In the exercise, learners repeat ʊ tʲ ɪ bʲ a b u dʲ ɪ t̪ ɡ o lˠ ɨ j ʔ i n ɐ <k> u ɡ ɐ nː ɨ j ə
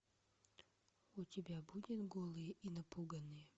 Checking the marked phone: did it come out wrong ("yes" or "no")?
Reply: yes